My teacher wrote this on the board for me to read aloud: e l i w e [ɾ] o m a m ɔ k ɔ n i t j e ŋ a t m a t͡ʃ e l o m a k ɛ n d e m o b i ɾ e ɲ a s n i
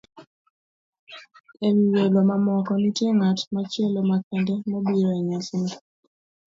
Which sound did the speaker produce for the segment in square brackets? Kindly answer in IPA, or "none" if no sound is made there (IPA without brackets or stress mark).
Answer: l